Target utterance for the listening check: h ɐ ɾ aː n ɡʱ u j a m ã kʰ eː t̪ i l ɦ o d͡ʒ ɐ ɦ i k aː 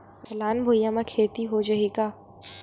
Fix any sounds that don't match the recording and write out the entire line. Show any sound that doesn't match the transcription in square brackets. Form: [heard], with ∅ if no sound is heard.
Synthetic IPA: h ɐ [l] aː n [bʱ] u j a m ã kʰ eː t̪ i [∅] ɦ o d͡ʒ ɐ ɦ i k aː